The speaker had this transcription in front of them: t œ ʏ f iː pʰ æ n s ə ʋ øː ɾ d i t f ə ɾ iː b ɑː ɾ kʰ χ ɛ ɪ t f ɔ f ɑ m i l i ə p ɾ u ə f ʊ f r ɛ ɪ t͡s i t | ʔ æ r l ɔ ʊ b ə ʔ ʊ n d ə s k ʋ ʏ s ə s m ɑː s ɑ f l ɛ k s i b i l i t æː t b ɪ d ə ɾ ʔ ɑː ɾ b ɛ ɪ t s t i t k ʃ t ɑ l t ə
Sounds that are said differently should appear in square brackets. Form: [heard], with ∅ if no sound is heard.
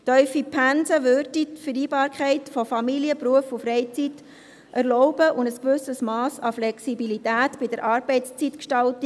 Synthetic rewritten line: t œ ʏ f [i] pʰ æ n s ə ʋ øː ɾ d i t f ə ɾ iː b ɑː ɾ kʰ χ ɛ ɪ t f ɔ f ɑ m i l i ə p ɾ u ə f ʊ f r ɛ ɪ t͡s i t | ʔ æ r l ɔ ʊ b ə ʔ ʊ n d ə s k ʋ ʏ s ə s m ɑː s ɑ f l ɛ k s i b i l i t æː t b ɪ d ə ɾ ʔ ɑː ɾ b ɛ ɪ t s [t͡s] i t k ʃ t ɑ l t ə